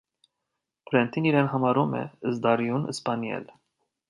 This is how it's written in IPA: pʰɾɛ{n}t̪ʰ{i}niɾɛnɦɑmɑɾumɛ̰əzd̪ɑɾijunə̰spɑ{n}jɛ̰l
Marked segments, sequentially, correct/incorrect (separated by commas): correct, correct, correct